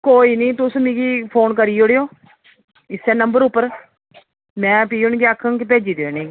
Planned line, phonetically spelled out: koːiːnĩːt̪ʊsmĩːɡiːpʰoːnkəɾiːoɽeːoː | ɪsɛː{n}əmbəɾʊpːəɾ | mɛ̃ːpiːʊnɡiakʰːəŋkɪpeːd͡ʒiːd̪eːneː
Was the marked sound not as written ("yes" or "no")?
no